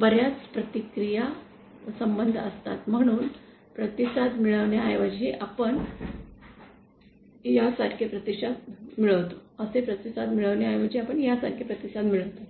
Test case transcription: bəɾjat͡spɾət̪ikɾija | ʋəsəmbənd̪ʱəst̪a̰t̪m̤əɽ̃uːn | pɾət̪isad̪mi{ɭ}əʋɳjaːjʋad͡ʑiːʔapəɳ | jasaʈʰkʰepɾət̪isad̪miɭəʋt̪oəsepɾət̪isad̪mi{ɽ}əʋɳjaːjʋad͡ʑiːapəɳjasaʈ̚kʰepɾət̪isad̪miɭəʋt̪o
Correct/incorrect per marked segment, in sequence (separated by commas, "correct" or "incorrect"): correct, incorrect